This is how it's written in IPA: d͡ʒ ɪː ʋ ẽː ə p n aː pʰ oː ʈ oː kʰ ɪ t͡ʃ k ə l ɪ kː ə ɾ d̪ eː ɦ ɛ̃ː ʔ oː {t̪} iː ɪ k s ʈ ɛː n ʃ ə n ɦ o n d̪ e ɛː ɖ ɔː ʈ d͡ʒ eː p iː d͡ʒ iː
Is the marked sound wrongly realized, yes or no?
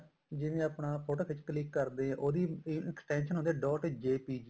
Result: yes